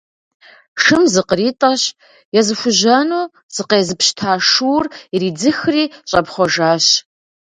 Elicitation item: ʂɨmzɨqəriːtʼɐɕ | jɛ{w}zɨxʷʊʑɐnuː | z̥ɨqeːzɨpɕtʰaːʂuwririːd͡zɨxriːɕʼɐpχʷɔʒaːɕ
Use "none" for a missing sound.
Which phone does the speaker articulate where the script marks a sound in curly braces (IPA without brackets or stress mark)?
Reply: none